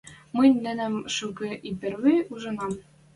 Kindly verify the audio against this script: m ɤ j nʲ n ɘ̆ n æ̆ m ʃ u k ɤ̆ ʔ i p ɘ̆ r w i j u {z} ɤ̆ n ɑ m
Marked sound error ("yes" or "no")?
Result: yes